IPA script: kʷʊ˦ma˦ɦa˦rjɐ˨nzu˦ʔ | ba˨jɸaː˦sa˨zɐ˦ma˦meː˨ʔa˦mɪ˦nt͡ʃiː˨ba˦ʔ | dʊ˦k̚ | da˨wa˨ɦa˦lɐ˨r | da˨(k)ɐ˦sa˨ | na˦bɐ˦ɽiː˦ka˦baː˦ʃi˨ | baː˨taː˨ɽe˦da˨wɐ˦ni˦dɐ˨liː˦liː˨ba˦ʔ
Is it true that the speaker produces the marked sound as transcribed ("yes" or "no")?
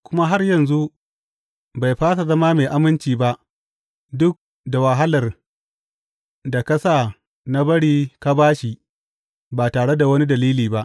yes